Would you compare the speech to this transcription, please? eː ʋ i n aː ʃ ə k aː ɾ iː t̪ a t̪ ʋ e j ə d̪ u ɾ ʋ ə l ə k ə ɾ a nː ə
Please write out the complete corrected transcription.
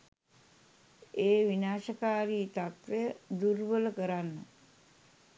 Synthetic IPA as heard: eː ʋ i n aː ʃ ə k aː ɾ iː t̪ a t̪ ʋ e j ə d̪ u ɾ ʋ ə l ə k ə ɾ a nː ə